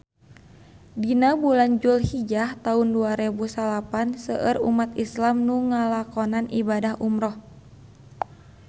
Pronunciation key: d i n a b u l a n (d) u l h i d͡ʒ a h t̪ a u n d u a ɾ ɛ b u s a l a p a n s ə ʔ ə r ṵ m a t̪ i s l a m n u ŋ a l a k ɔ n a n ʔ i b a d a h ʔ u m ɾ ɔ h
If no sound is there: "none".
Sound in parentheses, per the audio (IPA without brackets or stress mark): d͡ʒ